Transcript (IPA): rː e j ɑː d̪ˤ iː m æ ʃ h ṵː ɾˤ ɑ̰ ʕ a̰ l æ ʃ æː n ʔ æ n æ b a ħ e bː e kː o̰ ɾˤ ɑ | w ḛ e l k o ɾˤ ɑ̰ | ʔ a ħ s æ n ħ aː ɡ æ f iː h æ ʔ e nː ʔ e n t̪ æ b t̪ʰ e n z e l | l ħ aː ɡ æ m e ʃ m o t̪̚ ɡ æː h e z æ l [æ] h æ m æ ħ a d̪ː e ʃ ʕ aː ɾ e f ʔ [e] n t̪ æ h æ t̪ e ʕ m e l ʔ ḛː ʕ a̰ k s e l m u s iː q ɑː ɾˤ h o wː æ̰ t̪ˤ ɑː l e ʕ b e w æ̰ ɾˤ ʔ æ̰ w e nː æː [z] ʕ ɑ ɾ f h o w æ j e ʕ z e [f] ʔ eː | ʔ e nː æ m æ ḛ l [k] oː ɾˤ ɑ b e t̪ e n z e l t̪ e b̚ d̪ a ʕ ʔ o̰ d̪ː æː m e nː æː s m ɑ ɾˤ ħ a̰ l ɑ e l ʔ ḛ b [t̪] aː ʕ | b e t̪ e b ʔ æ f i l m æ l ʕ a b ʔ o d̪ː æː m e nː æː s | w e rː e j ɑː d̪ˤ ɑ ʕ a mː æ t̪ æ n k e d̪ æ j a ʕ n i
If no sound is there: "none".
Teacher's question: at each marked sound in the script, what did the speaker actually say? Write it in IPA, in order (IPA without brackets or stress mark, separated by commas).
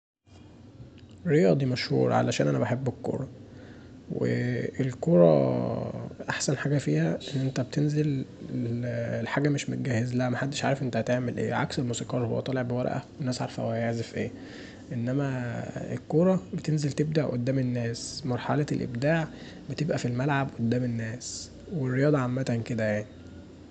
æ, e, s, f, k, d̪